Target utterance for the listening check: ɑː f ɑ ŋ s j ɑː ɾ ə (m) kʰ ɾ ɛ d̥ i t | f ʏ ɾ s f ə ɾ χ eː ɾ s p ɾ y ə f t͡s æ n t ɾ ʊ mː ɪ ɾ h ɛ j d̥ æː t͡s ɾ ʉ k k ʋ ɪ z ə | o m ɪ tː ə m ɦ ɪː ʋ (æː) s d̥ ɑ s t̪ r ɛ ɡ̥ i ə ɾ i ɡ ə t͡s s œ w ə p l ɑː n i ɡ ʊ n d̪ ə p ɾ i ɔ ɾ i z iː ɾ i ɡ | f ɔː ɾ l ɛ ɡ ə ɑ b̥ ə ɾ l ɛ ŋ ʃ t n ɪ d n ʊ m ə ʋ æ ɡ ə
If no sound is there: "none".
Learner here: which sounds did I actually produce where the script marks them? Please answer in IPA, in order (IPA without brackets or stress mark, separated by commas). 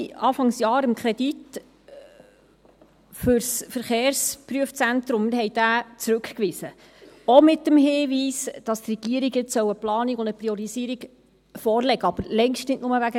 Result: m, iː